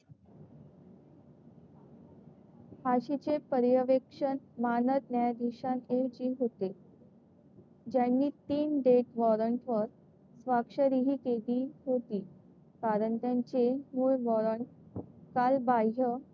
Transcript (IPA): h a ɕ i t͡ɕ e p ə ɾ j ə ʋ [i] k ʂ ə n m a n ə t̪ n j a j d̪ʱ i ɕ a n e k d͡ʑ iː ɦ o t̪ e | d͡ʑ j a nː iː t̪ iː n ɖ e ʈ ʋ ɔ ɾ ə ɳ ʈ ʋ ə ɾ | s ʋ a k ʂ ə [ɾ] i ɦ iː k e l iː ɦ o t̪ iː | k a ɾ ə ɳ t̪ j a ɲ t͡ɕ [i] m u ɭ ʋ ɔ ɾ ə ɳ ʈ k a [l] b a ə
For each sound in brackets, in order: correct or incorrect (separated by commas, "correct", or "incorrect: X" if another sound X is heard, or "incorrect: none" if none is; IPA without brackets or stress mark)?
incorrect: e, correct, incorrect: e, correct